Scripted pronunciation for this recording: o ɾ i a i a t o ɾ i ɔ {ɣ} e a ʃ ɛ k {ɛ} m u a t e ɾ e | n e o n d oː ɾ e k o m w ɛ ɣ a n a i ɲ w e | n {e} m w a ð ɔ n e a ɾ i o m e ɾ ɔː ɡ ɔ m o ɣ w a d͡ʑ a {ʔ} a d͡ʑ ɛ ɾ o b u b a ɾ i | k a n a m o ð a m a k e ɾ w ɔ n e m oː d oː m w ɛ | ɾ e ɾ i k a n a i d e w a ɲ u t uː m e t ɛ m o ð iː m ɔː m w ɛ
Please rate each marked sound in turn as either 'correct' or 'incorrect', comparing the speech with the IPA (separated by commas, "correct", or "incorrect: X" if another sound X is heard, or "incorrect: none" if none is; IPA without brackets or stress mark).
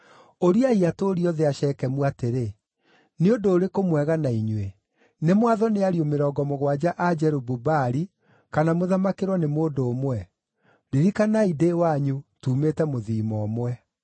incorrect: ð, correct, correct, correct